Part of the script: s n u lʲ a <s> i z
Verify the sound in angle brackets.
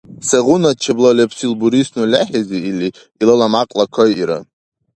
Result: incorrect: ħ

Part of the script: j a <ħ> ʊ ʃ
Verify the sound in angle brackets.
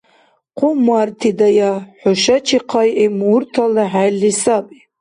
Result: correct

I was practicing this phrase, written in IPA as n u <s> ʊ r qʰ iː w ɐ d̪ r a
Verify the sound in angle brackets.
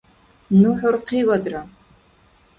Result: incorrect: ħ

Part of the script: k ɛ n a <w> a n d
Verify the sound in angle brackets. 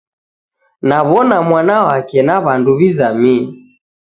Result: incorrect: β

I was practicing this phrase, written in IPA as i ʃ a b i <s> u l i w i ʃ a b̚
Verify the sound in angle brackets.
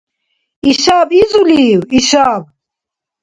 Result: incorrect: z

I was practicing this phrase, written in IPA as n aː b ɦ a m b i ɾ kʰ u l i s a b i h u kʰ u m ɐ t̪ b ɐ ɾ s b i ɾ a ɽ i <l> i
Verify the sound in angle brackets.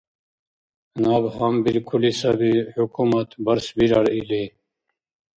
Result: correct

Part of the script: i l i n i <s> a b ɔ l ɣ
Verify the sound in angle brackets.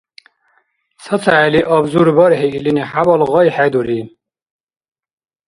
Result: incorrect: ħ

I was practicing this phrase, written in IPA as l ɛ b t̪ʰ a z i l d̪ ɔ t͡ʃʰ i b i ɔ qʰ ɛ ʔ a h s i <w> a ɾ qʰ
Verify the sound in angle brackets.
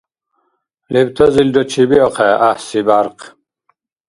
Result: incorrect: b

